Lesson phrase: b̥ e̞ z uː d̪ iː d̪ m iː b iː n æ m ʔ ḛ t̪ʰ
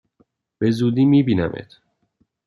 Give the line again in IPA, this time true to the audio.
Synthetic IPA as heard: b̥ e̞ z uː d̪ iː m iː b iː n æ m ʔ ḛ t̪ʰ

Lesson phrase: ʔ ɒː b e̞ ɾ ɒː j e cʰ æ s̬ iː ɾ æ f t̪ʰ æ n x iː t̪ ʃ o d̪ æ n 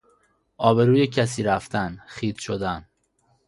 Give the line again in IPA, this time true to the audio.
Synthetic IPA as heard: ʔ ɒː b e̞ ɾ uː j e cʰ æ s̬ iː ɾ æ f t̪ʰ æ n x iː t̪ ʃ o d̪ æ n

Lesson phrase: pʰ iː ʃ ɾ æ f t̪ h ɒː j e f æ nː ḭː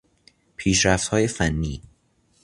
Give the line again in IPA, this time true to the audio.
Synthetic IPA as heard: pʰ iː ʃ ɾ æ f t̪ h ɒː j e f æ nː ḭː

